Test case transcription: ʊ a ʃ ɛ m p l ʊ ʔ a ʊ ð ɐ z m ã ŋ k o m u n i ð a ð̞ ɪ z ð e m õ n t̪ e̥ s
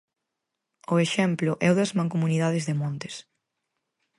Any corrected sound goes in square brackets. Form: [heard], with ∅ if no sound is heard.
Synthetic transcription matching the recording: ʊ [e] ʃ ɛ m p l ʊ ʔ [ɛ] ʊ ð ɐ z m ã ŋ k o m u n i ð a ð̞ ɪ z ð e m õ n t̪ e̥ s